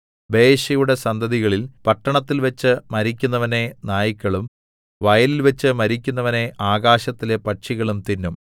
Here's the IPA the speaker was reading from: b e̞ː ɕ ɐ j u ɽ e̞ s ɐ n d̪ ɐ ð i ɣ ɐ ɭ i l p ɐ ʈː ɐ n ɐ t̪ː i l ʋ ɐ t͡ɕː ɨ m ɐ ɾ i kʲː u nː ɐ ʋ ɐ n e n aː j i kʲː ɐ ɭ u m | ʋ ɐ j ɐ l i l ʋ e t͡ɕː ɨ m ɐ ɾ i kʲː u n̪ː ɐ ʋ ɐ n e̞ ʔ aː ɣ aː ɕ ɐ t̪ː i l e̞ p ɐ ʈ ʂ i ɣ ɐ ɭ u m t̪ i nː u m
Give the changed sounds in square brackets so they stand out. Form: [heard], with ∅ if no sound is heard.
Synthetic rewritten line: b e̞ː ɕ ɐ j u ɽ e̞ s ɐ n d̪ ɐ ð i ɣ ɐ ɭ i l p ɐ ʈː ɐ [ɳ] ɐ t̪ː i l ʋ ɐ t͡ɕː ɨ m ɐ ɾ i kʲː u nː ɐ ʋ ɐ n e n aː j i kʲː ɐ ɭ u m | ʋ ɐ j ɐ l i l ʋ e t͡ɕː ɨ m ɐ ɾ i kʲː u n̪ː ɐ ʋ ɐ n e̞ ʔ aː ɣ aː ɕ ɐ t̪ː i l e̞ p ɐ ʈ ʂ i ɣ ɐ ɭ u m t̪ i nː u m